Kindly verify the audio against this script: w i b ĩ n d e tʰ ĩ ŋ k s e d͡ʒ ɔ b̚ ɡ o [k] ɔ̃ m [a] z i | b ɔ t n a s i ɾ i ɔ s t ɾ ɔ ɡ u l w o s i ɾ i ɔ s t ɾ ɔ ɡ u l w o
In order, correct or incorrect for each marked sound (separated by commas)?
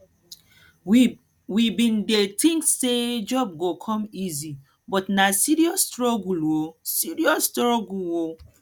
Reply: incorrect, incorrect